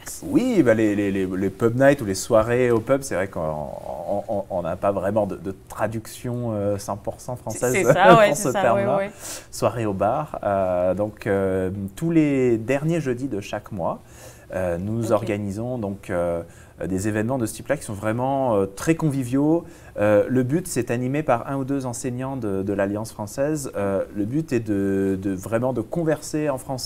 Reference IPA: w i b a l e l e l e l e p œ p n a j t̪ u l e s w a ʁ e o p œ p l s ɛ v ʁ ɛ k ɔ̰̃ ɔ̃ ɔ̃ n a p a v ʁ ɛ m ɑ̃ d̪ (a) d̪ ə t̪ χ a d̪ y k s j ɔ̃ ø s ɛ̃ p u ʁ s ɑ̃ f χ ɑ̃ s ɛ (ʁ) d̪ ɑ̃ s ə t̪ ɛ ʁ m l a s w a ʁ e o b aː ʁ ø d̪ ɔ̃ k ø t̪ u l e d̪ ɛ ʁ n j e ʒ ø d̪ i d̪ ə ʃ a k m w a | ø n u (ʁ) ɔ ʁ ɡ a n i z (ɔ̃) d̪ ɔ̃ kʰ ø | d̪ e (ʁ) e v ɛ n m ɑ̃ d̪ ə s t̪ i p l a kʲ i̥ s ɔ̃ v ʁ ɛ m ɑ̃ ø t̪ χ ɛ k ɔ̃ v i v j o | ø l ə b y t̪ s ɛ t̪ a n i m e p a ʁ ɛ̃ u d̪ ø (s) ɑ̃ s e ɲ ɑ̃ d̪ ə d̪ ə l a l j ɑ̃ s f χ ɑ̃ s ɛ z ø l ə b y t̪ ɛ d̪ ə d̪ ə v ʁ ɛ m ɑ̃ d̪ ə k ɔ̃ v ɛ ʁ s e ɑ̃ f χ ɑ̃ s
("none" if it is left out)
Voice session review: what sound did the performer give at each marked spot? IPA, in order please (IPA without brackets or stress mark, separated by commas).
ə, z, z, ɔ̃, z, z